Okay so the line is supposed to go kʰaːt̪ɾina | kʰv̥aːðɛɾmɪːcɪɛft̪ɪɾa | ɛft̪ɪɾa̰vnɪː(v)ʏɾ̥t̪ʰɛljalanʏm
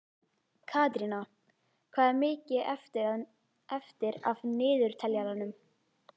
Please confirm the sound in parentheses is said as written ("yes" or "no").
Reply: no